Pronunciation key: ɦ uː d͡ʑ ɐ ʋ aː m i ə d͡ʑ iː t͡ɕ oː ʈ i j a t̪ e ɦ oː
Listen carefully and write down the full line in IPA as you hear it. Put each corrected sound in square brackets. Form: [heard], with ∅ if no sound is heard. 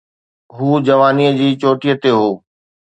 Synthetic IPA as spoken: ɦ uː d͡ʑ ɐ ʋ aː [n] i ə d͡ʑ iː t͡ɕ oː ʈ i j [ə] t̪ e ɦ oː